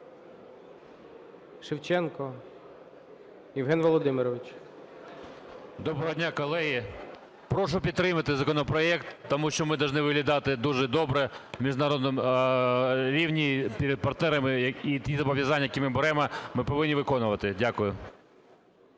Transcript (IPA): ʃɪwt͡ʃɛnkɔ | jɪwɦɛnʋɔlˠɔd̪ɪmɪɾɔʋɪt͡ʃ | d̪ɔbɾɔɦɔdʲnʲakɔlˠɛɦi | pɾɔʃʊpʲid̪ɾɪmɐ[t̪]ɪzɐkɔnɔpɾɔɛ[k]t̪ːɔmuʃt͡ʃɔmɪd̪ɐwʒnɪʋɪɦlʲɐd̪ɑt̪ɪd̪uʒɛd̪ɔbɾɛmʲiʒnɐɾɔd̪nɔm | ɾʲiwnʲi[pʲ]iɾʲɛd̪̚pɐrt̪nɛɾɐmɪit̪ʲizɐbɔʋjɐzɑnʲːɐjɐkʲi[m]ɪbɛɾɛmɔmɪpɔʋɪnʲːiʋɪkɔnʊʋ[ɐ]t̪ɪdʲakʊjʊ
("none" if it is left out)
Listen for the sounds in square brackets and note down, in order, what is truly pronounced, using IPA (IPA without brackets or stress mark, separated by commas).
t̪, k, pʲ, m, ɐ